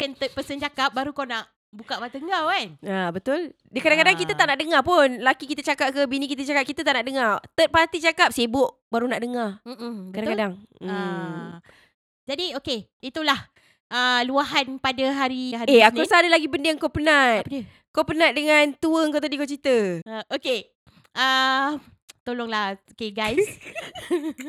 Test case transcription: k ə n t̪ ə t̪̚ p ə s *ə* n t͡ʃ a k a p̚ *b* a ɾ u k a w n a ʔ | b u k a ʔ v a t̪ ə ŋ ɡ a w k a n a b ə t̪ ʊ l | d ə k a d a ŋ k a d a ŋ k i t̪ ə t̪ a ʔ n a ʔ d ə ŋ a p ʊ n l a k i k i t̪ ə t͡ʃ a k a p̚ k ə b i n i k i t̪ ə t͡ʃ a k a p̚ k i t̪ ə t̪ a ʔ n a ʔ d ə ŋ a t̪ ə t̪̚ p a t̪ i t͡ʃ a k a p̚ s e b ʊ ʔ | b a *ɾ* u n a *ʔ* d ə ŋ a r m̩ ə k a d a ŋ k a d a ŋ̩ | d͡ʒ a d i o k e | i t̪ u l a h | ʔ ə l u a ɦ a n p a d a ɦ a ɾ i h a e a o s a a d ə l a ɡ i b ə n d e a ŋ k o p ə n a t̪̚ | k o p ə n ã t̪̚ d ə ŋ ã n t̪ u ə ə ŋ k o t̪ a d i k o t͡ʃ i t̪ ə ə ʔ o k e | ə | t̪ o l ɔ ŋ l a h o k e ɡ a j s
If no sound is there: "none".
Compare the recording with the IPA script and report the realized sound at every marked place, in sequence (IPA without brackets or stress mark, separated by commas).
ə, b, ɾ, ʔ